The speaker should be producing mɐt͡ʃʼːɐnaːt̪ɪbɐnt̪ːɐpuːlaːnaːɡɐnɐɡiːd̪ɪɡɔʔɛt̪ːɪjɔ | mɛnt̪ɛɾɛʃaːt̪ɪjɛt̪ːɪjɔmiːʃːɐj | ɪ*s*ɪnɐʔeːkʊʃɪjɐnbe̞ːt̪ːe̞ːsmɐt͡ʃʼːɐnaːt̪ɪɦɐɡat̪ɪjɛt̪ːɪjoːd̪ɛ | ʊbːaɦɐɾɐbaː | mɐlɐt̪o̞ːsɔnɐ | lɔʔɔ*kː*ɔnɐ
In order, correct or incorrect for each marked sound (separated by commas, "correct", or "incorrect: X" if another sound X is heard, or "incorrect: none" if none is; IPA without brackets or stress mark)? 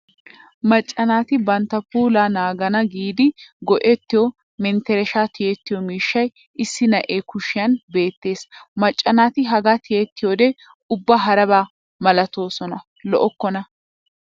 incorrect: sː, correct